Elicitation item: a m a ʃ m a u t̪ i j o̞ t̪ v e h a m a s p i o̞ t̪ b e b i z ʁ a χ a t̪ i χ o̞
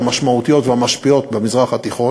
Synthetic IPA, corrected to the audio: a m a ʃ m a u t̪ i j o̞ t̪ v e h a m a ʃ p i o̞ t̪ b e m i z ʁ a χ a t̪ i χ o̞